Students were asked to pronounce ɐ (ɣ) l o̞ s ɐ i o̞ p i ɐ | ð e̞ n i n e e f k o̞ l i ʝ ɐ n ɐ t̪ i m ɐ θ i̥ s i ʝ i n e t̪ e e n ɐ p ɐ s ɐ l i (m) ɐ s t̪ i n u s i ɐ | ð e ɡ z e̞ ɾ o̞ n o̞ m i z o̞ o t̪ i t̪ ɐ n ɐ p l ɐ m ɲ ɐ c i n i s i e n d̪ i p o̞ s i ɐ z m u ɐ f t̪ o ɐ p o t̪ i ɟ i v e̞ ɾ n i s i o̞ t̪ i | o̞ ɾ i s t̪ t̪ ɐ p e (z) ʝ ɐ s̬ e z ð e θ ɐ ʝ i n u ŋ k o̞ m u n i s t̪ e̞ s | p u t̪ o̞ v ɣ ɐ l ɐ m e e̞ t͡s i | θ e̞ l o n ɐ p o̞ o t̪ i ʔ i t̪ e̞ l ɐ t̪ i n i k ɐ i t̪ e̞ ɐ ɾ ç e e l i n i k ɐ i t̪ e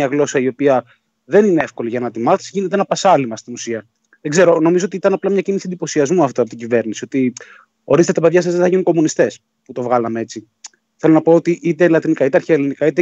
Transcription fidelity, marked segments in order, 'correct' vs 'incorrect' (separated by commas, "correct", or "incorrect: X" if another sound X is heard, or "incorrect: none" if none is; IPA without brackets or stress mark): correct, correct, incorrect: ð